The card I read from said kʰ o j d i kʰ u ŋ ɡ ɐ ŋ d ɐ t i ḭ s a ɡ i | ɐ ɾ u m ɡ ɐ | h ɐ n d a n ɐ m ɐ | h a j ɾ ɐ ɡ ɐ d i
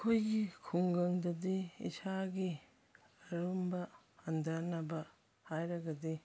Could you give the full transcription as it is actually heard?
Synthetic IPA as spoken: kʰ o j ɡ i kʰ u ŋ ɡ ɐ ŋ d ɐ d i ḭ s a ɡ i | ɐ ɾ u m b ɐ | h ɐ n d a n ɐ b ɐ | h a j ɾ ɐ ɡ ɐ d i